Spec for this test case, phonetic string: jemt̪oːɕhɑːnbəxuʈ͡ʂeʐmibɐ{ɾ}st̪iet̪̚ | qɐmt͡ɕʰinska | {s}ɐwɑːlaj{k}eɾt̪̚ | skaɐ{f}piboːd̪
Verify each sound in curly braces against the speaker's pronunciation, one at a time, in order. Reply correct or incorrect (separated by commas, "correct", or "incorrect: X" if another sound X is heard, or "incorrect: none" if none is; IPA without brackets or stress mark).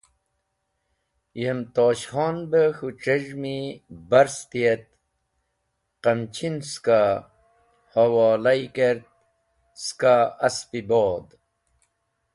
correct, incorrect: h, correct, incorrect: s